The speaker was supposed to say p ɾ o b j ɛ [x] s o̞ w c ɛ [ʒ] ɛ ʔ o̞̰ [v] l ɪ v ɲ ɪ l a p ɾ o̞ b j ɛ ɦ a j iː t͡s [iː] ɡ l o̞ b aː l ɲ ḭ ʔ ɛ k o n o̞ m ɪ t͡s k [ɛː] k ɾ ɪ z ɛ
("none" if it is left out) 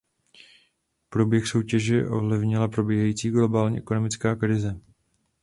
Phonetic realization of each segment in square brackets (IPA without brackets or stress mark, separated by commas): x, ʒ, v, iː, aː